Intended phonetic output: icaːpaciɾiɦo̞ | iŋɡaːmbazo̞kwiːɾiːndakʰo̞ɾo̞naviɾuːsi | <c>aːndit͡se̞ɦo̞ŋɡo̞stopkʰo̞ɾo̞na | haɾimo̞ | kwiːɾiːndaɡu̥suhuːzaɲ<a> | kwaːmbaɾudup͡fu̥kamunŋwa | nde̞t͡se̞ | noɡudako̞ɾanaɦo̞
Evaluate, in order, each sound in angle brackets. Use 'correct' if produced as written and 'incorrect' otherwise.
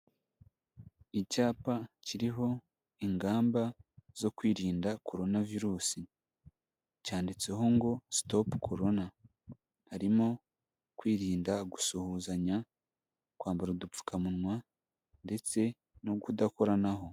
correct, correct

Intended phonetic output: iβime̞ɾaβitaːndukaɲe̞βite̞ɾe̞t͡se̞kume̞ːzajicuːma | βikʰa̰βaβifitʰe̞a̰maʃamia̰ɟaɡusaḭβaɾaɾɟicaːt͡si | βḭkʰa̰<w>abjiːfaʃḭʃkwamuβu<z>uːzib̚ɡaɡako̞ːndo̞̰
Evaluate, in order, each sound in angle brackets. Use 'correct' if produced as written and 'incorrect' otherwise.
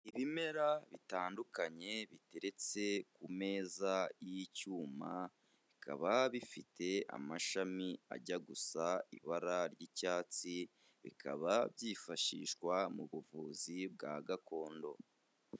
incorrect: β, incorrect: v

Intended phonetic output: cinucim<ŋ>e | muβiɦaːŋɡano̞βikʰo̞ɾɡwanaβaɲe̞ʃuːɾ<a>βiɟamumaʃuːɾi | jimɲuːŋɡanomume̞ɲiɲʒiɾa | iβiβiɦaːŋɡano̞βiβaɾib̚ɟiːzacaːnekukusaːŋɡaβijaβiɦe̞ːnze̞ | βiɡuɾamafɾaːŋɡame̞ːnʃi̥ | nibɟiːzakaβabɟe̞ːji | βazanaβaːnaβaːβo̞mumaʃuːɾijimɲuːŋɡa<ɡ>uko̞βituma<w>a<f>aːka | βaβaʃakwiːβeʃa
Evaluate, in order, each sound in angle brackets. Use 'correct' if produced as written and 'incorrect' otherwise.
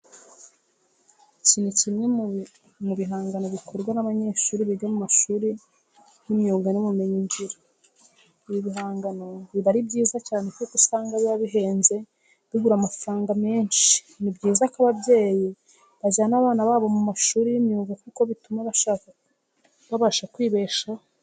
incorrect: ɲ, incorrect: i, incorrect: k, incorrect: β, incorrect: ʃ

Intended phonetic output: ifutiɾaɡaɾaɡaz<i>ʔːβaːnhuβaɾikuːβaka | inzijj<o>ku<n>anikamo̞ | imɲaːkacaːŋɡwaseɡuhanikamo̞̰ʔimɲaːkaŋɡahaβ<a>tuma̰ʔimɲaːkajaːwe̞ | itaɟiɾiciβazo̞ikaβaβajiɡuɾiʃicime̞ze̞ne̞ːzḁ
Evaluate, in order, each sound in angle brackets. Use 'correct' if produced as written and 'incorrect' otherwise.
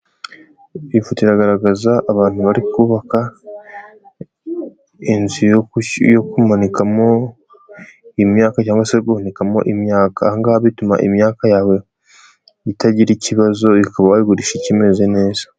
incorrect: a, correct, incorrect: m, incorrect: i

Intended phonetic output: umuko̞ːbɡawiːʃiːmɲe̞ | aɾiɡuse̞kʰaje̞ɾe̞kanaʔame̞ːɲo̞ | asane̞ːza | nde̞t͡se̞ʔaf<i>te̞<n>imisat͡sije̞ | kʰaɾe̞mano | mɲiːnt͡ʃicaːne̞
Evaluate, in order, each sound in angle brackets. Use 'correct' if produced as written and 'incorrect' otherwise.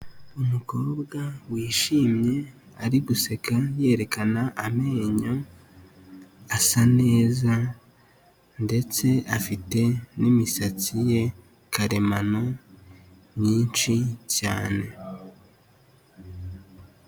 correct, correct

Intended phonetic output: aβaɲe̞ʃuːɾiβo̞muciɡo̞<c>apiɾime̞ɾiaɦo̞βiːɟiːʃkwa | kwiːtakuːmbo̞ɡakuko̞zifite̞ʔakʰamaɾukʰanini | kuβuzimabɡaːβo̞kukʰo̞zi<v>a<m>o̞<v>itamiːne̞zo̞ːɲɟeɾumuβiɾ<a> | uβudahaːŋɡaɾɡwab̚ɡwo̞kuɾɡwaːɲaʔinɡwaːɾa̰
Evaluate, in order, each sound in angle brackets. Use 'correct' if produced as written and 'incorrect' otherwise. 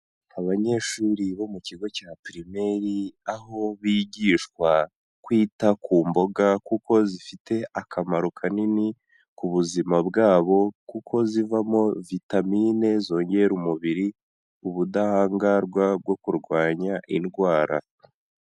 correct, correct, correct, correct, incorrect: i

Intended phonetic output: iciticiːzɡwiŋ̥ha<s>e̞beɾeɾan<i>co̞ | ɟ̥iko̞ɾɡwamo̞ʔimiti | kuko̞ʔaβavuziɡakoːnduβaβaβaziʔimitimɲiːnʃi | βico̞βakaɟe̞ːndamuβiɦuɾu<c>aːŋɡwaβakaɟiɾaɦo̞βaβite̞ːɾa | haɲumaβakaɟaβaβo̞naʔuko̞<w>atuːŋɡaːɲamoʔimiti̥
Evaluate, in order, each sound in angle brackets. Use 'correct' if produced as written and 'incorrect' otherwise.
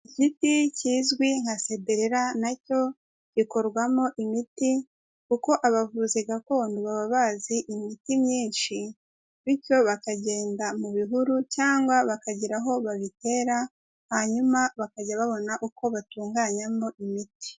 correct, incorrect: a, correct, incorrect: β

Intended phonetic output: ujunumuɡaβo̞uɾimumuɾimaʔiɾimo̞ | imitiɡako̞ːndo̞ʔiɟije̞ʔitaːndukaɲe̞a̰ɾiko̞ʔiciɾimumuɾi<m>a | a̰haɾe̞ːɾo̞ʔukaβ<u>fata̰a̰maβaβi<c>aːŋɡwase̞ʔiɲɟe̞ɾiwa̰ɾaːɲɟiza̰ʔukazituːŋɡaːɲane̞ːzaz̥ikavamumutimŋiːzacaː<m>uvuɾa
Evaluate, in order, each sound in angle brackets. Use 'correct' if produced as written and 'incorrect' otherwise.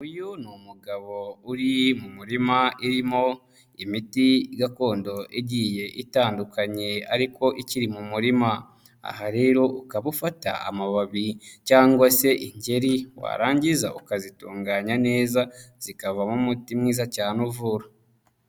correct, correct, correct, incorrect: n

